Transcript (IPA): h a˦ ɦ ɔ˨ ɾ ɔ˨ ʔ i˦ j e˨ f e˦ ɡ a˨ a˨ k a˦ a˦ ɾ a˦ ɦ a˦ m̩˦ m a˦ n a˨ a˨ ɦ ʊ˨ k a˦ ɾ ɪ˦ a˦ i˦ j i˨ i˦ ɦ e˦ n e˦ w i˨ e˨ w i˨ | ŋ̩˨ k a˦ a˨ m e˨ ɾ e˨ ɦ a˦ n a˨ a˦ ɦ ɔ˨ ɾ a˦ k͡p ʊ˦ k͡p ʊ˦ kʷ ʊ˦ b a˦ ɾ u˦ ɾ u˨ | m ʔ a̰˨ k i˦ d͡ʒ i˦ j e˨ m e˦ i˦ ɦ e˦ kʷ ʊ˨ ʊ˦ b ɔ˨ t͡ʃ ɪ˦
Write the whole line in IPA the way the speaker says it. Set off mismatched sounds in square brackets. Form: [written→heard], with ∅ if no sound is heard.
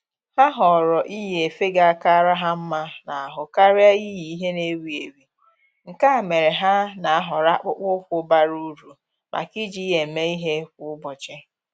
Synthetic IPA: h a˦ ɦ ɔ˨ ɾ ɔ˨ ʔ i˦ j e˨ f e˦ ɡ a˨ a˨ k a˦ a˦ ɾ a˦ ɦ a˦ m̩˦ m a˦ n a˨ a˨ ɦ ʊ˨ k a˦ ɾ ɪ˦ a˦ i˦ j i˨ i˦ ɦ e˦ n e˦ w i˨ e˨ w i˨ | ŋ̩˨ k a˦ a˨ m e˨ ɾ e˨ ɦ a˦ n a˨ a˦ ɦ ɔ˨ ɾ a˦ k͡p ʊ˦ k͡p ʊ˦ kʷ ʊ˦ b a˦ ɾ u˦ ɾ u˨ | m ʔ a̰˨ k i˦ d͡ʒ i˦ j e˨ m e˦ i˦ ɦ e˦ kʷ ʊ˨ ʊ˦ b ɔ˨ t͡ʃ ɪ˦